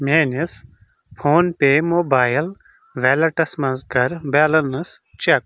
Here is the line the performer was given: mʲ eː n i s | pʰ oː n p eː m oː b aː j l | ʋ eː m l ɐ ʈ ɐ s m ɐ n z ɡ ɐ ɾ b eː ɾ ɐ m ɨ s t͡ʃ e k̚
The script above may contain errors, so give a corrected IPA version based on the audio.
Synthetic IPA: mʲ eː n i s | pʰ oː n p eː m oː b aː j l | ʋ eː l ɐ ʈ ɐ s m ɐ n z ɡ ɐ ɾ b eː l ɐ n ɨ s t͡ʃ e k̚